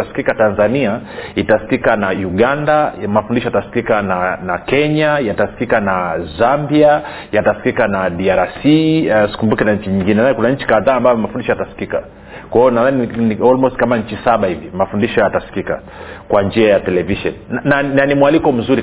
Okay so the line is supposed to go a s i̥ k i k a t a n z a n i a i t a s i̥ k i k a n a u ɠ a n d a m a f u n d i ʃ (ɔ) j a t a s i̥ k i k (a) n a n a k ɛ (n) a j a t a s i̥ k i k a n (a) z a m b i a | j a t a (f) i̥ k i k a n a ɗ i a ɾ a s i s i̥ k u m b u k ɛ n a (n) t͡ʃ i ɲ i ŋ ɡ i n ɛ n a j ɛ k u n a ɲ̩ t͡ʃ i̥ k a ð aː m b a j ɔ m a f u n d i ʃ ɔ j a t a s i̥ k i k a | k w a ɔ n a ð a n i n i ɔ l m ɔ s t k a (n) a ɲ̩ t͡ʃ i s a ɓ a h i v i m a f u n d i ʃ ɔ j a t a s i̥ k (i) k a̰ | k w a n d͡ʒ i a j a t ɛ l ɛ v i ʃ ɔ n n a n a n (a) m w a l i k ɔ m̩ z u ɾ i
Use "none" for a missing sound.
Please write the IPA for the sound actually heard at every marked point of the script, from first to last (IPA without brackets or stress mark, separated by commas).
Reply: ɔ, a, ɲ, a, s, ɲ, m, i, i